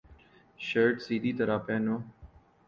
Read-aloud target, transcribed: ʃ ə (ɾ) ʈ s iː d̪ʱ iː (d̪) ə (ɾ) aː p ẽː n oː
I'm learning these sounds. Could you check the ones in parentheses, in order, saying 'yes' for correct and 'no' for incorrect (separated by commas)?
yes, no, yes